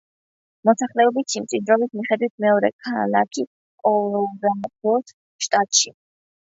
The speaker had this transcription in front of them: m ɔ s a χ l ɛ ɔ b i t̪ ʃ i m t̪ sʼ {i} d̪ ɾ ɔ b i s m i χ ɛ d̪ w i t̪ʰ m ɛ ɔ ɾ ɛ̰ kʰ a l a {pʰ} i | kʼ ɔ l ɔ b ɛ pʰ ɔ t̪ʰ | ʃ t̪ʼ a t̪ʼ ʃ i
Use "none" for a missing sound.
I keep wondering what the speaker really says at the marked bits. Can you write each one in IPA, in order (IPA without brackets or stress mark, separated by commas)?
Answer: i, kʰ